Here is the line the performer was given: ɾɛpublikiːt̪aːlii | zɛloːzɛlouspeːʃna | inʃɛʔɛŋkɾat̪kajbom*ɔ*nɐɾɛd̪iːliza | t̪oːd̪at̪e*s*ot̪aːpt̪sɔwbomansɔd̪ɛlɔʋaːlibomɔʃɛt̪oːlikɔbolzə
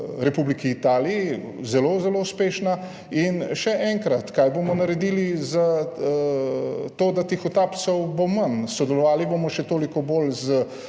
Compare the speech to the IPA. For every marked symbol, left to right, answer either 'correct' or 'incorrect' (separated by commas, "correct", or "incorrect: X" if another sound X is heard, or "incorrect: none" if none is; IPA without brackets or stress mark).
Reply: correct, incorrect: x